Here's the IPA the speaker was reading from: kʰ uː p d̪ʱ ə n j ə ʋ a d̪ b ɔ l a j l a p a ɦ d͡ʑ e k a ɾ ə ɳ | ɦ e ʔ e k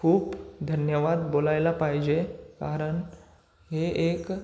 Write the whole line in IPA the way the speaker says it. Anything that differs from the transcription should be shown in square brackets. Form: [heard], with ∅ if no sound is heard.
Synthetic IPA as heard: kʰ uː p d̪ʱ ə n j ə ʋ a d̪ b [o] l a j l a p a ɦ d͡ʑ e k a ɾ ə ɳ | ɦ e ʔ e k